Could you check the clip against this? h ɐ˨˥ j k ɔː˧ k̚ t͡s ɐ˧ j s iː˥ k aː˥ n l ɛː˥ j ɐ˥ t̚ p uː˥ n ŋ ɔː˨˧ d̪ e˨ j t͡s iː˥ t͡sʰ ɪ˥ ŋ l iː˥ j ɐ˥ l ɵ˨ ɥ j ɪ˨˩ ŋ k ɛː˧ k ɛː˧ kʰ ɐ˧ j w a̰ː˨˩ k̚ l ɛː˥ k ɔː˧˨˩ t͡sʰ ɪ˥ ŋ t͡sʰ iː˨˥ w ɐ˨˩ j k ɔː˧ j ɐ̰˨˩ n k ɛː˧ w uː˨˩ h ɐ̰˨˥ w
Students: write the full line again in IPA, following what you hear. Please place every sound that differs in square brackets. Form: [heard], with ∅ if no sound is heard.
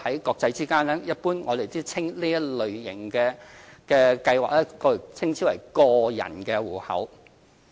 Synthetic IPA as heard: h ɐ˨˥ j k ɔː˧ k̚ t͡s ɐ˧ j [t͡s] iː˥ k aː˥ n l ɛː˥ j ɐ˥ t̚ p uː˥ n ŋ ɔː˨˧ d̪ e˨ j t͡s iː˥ t͡sʰ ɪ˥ ŋ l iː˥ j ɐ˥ l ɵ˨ ɥ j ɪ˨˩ ŋ k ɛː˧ k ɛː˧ [k] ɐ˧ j w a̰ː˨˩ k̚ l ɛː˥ k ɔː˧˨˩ t͡sʰ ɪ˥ ŋ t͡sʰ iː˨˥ w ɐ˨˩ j k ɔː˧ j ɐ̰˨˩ n k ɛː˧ w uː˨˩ h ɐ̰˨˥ w